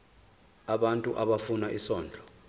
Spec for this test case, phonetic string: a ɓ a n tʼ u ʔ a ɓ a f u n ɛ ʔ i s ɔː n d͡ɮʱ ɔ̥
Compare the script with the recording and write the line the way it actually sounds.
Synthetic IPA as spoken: a ɓ a n tʼ u ʔ a ɓ a f u n a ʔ i s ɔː n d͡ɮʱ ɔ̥